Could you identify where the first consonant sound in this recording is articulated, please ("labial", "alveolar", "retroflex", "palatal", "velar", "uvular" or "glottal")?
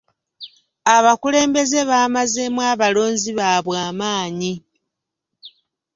labial